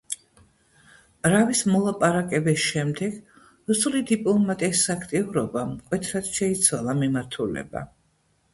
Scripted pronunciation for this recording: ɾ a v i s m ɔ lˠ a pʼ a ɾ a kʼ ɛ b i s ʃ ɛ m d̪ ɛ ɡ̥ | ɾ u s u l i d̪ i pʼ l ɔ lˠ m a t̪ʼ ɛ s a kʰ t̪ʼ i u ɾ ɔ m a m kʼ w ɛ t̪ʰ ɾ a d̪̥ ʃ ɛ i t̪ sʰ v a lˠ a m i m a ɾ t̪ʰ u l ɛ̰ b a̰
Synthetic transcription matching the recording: ɾ a v i s m ɔ lˠ a pʼ a ɾ a kʼ ɛ b i s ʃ ɛ m d̪ ɛ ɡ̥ | ɾ u s u l i d̪ i pʼ l ɔ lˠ m a t̪ʼ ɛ s a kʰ t̪ʼ i u ɾ ɔ b a m kʼ w ɛ t̪ʰ ɾ a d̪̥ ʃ ɛ i t̪ sʰ w a lˠ a m i m a ɾ t̪ʰ u l ɛ̰ b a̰